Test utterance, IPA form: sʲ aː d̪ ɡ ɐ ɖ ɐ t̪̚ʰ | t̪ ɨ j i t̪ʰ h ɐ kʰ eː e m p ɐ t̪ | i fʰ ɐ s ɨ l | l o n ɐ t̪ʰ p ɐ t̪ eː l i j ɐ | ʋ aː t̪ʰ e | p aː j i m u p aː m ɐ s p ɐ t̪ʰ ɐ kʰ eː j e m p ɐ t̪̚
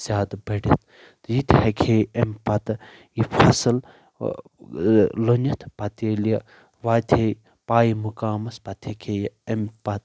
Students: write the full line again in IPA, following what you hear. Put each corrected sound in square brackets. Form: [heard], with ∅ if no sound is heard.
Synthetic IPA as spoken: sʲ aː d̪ [b] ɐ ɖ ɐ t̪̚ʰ | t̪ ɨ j i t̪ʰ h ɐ kʰ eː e m p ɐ t̪ | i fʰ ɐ s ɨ l | l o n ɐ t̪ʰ p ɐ t̪ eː l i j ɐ | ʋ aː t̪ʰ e | p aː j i m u [k] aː m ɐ s p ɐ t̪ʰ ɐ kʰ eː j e m p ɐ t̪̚